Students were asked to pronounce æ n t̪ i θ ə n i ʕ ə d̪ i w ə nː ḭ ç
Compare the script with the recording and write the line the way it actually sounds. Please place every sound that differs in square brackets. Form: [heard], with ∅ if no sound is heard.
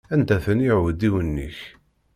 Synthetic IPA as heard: æ n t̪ [æ] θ ə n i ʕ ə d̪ i w ə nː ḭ ç